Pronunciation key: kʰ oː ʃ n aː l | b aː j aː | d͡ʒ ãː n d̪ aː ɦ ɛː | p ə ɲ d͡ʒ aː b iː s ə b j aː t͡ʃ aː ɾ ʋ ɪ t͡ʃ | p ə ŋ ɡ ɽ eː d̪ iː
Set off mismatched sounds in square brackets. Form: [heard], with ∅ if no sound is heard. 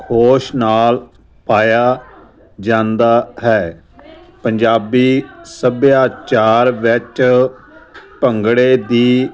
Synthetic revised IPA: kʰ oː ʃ n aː l | [p] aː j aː | d͡ʒ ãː n d̪ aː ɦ ɛː | p ə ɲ d͡ʒ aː b iː s ə b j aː t͡ʃ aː ɾ ʋ ɪ t͡ʃ | p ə ŋ ɡ ɽ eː d̪ iː